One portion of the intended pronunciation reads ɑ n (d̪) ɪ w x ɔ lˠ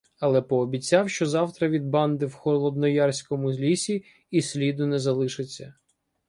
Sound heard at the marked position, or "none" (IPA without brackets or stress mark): d̪